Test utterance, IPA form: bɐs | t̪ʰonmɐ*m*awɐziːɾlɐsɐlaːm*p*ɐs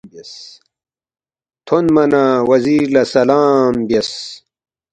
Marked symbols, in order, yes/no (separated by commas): no, no